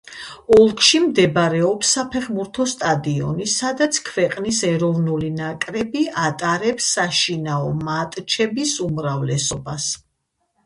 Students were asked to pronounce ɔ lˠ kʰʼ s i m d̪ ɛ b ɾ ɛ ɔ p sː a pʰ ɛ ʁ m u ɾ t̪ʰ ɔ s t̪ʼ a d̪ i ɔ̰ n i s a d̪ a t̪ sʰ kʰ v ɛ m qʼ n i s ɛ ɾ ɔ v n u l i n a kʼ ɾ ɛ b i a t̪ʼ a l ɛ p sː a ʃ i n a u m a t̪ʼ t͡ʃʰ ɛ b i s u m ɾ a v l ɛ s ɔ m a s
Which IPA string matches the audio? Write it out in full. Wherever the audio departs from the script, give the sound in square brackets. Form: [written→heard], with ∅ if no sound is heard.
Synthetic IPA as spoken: ɔ lˠ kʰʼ [s→ʃ] i m d̪ ɛ b ɾ ɛ ɔ p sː a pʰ ɛ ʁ m u ɾ t̪ʰ ɔ s t̪ʼ a d̪ i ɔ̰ n i s a d̪ a t̪ sʰ kʰ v ɛ [m→∅] qʼ n i s ɛ ɾ ɔ v n u l i n a kʼ ɾ ɛ b i a t̪ʼ a [l→ɾ] ɛ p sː a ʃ i n a [u→ɔ] m a t̪ʼ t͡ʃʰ ɛ b i s u m ɾ a v l ɛ s ɔ [m→b] a s